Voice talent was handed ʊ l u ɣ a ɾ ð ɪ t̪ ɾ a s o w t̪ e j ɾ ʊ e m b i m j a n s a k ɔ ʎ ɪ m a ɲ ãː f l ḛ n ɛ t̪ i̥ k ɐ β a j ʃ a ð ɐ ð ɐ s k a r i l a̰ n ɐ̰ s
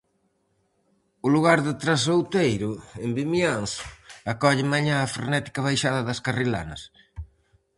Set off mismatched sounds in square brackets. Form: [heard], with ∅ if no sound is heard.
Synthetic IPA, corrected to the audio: ʊ l u ɣ a ɾ ð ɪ t̪ ɾ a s o w t̪ e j ɾ ʊ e m b i m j a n s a k ɔ ʎ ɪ m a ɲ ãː f [ɾ] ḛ n ɛ t̪ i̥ k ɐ β a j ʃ a ð ɐ ð ɐ s k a r i l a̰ n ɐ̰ s